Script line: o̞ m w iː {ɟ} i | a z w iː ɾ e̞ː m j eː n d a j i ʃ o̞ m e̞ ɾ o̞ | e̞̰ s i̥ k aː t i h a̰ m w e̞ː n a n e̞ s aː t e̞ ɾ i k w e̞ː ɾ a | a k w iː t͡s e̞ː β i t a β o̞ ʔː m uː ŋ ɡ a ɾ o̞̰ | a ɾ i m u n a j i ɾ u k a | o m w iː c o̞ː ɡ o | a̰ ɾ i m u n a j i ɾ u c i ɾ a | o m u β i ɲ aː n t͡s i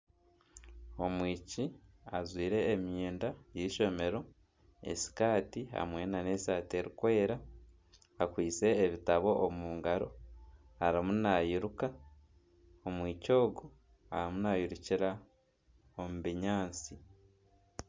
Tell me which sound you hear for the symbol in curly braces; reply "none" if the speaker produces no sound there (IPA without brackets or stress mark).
c